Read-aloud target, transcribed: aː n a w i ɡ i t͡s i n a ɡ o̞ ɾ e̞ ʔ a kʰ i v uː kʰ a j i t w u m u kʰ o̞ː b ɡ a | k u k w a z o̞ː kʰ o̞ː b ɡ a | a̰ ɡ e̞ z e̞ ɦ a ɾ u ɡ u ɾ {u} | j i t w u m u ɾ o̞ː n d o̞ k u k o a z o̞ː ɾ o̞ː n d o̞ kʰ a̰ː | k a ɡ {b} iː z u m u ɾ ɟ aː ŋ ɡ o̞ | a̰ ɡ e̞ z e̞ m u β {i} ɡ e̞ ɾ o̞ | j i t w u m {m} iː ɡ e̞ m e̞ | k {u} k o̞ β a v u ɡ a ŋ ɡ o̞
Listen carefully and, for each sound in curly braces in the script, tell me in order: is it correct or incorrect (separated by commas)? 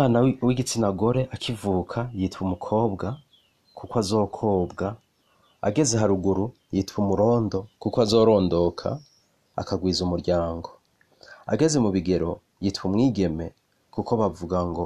correct, incorrect, correct, incorrect, correct